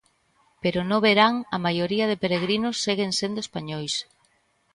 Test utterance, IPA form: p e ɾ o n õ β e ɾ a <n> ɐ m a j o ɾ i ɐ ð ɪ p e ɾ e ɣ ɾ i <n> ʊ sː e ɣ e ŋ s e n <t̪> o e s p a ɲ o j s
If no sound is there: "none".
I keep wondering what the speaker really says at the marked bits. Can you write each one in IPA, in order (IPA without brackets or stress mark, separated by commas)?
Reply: ŋ, n, d̪